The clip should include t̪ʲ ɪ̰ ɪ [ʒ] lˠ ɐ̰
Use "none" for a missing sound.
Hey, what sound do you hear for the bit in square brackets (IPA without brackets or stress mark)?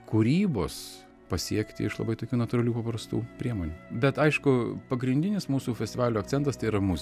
ʃ